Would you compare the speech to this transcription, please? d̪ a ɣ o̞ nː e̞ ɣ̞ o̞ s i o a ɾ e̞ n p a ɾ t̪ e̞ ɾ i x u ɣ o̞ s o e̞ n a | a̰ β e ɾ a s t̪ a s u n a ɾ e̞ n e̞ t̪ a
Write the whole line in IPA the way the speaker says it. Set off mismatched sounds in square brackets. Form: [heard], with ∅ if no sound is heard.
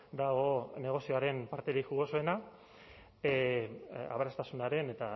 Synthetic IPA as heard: d̪ a ɣ o̞ [n] e̞ ɣ̞ o̞ s i o a ɾ e̞ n p a ɾ t̪ e̞ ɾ i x u ɣ o̞ s o e̞ n a | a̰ β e ɾ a s t̪ a s u n a ɾ e̞ n e̞ t̪ a